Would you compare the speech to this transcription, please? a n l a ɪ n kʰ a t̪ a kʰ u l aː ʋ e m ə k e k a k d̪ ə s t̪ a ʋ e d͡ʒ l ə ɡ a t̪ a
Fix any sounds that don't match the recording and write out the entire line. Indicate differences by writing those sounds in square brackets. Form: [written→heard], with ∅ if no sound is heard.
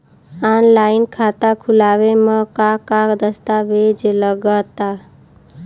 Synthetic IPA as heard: a n l a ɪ n kʰ a t̪ a kʰ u l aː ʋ e m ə k [e→a] k a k d̪ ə s t̪ a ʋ e d͡ʒ l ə ɡ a t̪ a